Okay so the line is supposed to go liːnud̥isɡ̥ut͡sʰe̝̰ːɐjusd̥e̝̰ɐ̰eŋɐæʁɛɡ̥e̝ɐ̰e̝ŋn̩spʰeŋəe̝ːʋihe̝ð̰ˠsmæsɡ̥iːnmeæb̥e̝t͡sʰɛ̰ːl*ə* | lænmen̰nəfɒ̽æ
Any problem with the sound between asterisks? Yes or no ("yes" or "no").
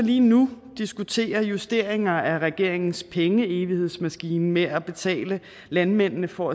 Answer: no